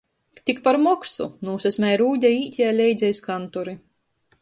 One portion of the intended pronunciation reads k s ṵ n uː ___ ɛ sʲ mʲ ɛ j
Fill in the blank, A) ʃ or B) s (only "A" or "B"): B